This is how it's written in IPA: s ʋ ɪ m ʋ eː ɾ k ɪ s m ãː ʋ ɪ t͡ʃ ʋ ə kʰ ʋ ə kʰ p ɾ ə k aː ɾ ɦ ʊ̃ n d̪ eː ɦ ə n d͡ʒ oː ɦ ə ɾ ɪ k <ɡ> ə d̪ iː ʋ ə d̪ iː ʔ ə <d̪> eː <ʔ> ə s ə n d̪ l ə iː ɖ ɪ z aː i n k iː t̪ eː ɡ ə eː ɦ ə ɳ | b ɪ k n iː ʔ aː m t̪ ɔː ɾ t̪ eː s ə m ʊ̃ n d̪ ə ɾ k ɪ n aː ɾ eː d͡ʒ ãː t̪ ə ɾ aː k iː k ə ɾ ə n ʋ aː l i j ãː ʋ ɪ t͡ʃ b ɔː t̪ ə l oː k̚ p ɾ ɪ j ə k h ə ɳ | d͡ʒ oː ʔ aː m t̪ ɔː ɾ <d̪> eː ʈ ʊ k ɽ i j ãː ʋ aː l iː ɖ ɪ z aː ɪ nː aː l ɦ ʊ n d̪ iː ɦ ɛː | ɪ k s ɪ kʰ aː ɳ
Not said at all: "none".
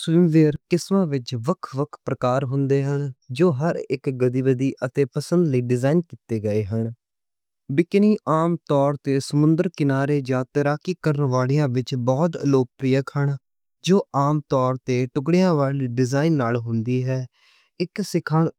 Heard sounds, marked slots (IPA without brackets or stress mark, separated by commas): ɡ, t̪, p, t̪